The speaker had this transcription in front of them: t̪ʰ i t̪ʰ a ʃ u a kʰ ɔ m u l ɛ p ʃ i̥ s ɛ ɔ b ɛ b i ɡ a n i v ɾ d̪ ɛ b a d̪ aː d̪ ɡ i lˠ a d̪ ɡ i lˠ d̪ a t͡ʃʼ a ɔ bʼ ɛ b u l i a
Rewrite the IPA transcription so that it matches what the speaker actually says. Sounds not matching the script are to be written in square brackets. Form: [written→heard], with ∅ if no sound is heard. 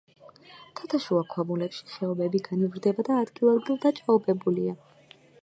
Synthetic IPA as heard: t̪ʰ [i→a] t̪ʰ a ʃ u a kʰ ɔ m u l ɛ p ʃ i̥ [s→χ] ɛ ɔ b ɛ b i ɡ a n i v ɾ d̪ ɛ b a d̪ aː d̪ ɡ i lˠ a d̪ ɡ i lˠ d̪ a t͡ʃʼ a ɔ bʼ ɛ b u l i a